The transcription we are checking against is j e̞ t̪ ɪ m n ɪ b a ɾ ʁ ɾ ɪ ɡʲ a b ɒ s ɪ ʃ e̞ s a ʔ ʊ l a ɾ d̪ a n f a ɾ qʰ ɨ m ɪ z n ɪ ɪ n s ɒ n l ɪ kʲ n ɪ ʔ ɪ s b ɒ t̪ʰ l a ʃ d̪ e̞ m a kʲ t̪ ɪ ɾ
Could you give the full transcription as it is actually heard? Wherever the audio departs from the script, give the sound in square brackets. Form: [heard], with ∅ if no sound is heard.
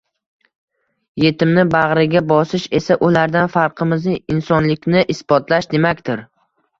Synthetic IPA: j e̞ t̪ ɪ m n ɪ b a [∅] ʁ ɾ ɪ ɡʲ a b ɒ s ɪ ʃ e̞ s a ʔ ʊ l a ɾ d̪ a n f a ɾ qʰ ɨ m ɪ z n ɪ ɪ n s ɒ n l ɪ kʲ n ɪ ʔ ɪ s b ɒ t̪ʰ l a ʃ d̪ e̞ m a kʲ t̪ ɪ ɾ